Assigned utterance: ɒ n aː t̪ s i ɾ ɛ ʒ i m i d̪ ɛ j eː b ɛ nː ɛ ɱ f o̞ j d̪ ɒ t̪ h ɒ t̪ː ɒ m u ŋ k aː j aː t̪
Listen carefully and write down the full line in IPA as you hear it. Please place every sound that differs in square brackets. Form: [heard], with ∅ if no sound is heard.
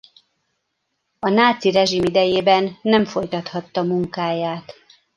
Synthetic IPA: ɒ n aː t̪ s i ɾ ɛ ʒ i m i d̪ ɛ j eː b ɛ nː ɛ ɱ f o̞ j [t̪] ɒ t̪ h ɒ t̪ː ɒ m u ŋ k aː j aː t̪